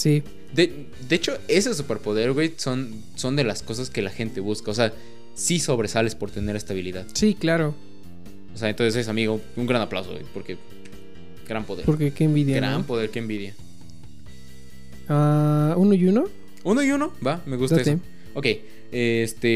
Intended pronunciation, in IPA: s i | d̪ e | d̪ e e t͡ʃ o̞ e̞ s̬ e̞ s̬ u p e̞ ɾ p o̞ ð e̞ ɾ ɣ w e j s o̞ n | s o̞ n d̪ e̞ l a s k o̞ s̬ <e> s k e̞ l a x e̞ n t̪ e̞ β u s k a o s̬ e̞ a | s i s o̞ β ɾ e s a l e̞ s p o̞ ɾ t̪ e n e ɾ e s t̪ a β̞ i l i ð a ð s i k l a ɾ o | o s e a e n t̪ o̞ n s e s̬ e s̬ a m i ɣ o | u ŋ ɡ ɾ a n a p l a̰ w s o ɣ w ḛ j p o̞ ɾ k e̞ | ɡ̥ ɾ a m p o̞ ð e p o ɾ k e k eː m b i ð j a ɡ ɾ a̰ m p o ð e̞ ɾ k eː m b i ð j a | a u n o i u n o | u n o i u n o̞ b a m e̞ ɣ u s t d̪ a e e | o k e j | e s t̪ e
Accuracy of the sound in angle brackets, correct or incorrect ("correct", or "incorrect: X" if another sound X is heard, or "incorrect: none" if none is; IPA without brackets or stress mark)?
incorrect: a